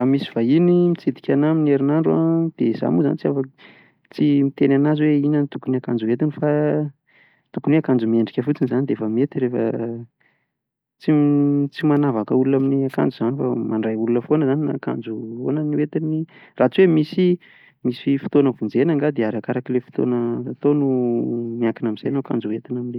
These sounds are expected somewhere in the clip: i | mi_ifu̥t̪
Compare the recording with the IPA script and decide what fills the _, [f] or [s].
s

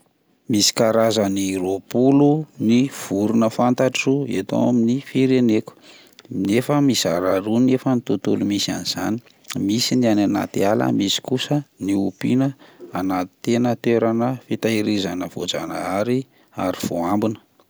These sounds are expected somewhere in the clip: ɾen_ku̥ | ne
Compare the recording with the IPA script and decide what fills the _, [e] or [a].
e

